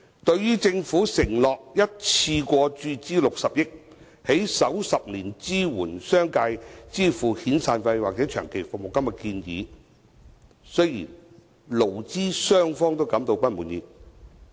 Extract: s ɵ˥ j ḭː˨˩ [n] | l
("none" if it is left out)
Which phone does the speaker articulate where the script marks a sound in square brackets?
n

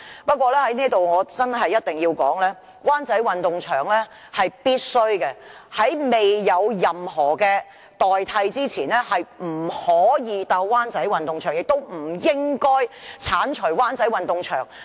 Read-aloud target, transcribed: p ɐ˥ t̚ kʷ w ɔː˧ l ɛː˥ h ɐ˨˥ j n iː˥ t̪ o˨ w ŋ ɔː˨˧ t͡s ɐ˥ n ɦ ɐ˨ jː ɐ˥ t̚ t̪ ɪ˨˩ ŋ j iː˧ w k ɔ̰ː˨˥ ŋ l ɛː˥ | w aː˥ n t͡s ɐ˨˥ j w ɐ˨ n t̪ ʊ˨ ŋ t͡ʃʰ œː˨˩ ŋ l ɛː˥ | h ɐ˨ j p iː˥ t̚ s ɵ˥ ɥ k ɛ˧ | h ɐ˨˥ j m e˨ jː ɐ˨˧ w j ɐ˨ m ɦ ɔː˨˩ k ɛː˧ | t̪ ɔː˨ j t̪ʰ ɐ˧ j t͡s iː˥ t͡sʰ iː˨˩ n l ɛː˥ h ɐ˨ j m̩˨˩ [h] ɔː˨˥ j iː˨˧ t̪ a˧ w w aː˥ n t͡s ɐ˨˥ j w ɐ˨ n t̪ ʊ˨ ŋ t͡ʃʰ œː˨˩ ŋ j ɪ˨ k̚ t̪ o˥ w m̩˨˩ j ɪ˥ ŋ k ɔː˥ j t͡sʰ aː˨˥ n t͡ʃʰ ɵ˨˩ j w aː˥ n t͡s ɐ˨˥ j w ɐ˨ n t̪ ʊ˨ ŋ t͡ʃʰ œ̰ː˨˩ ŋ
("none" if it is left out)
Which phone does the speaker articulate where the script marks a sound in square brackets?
h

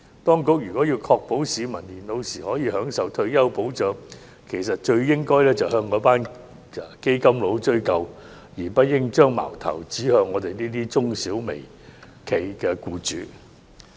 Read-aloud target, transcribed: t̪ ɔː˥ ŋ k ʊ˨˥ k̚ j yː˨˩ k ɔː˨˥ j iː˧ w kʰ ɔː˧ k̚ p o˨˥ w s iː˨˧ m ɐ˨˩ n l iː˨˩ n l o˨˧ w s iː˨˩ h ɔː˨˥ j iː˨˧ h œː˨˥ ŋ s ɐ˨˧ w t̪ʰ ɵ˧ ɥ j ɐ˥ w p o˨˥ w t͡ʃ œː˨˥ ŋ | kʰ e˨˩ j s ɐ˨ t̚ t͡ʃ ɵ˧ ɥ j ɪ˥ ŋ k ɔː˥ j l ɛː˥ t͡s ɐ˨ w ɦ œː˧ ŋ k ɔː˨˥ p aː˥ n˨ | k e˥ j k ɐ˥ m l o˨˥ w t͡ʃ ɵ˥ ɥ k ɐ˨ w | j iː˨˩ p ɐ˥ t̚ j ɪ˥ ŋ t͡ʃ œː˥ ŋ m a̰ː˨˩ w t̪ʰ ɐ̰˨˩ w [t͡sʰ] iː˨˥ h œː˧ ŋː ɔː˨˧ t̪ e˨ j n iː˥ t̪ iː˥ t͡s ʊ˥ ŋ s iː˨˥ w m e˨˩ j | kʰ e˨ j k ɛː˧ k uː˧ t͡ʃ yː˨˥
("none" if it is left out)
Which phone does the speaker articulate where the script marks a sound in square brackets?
t͡s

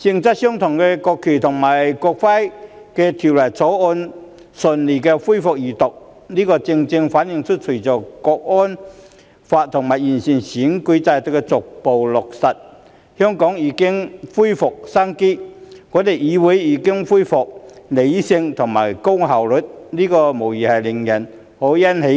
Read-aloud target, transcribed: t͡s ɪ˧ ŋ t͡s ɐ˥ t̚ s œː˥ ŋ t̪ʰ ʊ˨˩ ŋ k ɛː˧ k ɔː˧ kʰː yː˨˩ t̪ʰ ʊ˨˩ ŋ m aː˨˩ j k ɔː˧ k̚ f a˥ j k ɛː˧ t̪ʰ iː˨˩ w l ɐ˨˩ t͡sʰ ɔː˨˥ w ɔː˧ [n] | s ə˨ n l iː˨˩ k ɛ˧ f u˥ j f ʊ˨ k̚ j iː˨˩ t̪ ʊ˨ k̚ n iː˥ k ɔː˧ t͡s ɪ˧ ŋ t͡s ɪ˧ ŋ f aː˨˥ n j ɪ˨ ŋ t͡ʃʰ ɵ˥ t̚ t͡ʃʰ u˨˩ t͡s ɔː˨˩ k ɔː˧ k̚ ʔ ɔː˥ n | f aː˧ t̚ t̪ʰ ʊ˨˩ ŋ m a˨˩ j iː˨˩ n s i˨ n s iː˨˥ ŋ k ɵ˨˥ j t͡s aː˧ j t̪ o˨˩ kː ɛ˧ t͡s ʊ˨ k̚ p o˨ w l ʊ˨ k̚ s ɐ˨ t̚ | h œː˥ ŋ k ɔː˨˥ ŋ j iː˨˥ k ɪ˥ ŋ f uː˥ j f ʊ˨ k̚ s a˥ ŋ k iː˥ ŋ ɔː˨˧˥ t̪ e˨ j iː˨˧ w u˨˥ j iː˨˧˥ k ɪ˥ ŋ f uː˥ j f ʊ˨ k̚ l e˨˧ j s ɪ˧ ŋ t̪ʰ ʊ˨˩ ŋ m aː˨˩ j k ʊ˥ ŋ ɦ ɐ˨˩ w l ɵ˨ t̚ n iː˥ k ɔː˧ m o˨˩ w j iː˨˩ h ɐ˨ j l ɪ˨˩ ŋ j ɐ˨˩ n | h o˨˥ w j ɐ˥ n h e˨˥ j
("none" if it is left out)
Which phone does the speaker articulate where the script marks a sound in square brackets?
n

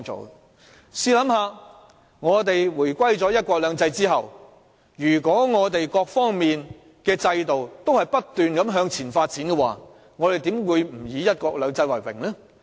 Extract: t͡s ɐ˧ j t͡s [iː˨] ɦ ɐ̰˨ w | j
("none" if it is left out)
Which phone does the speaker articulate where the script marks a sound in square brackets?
iː˥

